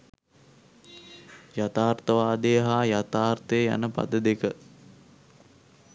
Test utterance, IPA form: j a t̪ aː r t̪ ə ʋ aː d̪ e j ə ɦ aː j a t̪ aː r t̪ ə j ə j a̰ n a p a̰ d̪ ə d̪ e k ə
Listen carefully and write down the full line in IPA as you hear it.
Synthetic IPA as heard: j a t̪ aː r t̪ ə ʋ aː d̪ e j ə ɦ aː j a t̪ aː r t̪ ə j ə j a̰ n ə p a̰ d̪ ə d̪ e k ə